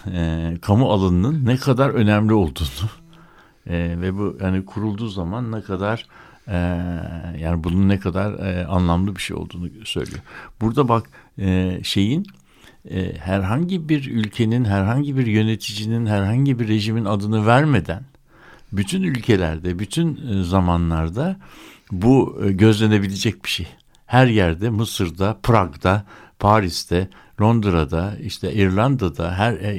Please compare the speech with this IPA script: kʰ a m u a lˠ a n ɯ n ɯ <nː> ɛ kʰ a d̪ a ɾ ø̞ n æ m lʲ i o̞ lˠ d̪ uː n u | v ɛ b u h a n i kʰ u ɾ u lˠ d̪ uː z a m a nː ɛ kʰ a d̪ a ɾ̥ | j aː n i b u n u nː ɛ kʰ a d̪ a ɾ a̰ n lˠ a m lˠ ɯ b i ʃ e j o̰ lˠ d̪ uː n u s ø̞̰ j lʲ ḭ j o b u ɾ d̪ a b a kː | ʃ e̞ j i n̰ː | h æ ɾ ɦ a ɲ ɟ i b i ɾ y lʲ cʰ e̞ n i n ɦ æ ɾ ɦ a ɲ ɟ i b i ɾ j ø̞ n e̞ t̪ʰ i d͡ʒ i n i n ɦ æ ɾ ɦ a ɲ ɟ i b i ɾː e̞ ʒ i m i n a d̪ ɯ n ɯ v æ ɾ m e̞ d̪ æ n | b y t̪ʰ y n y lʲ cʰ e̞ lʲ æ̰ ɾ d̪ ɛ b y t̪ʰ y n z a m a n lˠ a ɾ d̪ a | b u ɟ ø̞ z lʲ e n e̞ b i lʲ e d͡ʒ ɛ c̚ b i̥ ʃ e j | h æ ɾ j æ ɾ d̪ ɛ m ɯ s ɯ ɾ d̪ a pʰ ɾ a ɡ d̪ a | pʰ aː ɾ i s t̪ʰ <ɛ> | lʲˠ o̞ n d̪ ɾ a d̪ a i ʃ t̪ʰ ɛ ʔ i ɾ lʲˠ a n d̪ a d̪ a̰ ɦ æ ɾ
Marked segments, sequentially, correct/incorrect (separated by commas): correct, correct